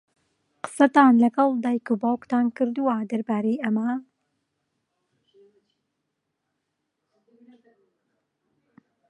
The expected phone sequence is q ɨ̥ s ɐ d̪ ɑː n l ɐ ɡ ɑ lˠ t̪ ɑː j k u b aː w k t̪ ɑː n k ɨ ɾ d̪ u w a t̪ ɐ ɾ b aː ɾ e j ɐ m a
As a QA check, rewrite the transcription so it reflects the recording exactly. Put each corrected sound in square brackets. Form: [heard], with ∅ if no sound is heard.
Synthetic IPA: q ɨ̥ s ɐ [t̪] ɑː n l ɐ ɡ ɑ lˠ [d̪] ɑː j k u b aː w k t̪ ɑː n k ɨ ɾ d̪ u w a [d̪] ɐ ɾ b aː ɾ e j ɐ m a